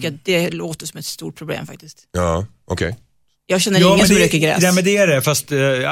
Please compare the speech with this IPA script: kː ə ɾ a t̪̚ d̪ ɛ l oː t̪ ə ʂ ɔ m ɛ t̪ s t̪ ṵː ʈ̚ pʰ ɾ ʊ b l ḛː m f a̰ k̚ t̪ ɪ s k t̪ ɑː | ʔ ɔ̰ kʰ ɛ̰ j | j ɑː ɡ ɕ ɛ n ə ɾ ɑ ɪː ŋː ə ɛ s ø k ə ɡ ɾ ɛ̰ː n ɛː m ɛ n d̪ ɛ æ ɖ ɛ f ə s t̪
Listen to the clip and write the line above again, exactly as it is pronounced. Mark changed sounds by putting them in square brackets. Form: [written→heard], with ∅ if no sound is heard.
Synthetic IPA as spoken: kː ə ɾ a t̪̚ d̪ ɛ l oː t̪ ə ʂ ɔ m ɛ t̪ s t̪ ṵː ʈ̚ pʰ ɾ ʊ b l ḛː m f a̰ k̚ t̪ ɪ s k t̪ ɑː | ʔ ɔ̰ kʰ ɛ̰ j | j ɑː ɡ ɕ ɛ [n→nː] ə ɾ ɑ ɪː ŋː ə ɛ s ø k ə ɡ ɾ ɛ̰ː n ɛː m ɛ n d̪ ɛ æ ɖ ɛ f [ə→a] s t̪